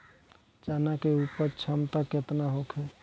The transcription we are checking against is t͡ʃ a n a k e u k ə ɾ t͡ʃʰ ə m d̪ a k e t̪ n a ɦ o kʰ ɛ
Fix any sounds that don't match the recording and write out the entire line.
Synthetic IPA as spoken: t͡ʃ a n a k e u p ə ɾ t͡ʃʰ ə m t̪ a k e t̪ n a ɦ o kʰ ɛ